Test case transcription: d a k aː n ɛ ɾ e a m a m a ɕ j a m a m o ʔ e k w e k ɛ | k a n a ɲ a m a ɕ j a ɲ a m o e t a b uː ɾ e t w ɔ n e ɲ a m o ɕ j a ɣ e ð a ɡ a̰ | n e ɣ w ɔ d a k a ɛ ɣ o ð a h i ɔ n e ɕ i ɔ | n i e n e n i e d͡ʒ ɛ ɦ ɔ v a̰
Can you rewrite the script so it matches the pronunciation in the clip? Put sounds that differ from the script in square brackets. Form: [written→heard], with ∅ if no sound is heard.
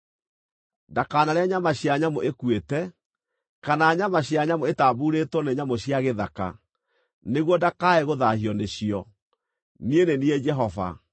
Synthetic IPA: d a k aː n [ɛ→a] ɾ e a [m→ɲ] a m a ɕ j a [m→ɲ] a m o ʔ e k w e [k→t] ɛ | k a n a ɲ a m a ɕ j a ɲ a m o e t a b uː ɾ e t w ɔ n e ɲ a m o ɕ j a ɣ e ð a [ɡ→k] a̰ | n e ɣ w ɔ d a k a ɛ ɣ o ð a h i ɔ n e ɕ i ɔ | n i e n e n i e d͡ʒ ɛ ɦ ɔ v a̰